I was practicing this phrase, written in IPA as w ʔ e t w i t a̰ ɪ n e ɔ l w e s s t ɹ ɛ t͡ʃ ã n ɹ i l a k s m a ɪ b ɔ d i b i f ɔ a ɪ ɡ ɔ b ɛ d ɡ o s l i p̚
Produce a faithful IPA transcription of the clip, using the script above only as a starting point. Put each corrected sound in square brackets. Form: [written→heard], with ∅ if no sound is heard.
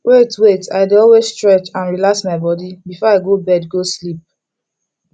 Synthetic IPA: w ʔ e t w [i→e] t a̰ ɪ [n→d] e ɔ l w e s s t ɹ ɛ t͡ʃ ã n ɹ i l a k s m a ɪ b ɔ d i b i f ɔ a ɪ ɡ [ɔ→o] b ɛ d ɡ o s l i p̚